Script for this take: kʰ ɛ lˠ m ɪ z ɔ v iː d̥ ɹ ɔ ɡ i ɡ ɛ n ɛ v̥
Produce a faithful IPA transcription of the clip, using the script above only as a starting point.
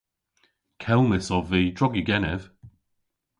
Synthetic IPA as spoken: kʰ ɛ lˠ m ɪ s ɔ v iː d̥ ɹ ɔ ɡ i ɡ ɛ n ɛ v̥